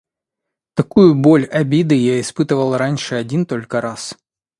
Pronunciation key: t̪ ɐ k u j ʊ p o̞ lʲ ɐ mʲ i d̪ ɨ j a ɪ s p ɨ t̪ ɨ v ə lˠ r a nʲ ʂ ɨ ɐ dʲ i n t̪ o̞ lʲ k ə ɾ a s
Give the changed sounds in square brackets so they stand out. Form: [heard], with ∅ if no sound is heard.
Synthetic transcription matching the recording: t̪ ɐ k u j ʊ [b] o̞ lʲ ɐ [bʲ] i d̪ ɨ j a ɪ s p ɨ t̪ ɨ v ə lˠ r a nʲ ʂ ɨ ɐ dʲ i n t̪ o̞ lʲ k ə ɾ a s